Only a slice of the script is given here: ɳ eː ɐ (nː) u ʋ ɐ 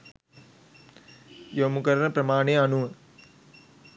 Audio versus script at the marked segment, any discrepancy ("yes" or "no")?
yes